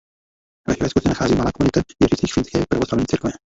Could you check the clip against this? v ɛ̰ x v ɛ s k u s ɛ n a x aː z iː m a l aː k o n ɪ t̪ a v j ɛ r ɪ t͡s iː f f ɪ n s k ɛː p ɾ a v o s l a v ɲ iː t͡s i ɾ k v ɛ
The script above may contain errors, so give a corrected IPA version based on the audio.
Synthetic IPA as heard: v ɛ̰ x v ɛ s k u s ɛ n a x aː z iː m a l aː k o n ɪ t̪ a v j ɛ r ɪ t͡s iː x f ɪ n s k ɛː p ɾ a v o s l a v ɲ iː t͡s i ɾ k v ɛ